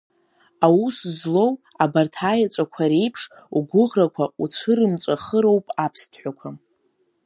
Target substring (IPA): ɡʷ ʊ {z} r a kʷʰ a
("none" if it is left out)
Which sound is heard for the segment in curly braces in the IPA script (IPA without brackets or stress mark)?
ʁ